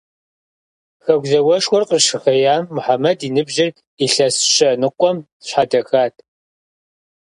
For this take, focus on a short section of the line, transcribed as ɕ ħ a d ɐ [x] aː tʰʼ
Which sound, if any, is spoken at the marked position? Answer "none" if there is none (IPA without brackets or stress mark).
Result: x